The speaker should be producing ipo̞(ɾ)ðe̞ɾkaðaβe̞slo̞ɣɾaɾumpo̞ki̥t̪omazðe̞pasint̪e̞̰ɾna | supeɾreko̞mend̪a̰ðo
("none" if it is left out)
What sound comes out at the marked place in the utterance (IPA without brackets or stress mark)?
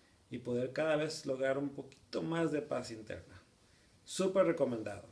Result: none